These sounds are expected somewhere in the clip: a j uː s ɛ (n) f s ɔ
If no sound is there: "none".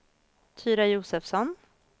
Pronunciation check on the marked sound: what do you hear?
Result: none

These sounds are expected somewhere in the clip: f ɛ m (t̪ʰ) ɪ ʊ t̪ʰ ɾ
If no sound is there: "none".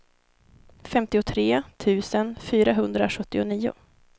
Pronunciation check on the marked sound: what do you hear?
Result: t̪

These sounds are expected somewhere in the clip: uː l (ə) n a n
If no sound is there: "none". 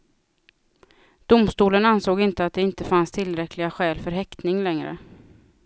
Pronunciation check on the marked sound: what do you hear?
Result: ə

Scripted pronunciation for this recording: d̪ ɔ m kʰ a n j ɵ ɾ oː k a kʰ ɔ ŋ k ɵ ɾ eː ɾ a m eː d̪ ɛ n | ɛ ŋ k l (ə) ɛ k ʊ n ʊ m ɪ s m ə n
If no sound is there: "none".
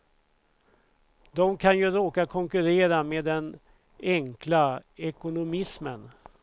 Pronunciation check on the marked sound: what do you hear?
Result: a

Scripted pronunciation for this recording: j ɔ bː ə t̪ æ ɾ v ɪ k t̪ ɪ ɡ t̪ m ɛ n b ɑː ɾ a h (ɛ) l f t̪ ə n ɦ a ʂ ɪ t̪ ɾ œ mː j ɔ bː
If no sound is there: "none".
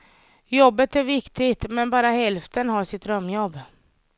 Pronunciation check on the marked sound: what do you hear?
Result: ɛ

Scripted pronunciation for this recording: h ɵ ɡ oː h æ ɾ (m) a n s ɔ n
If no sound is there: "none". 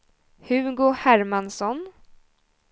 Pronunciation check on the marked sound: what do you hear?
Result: m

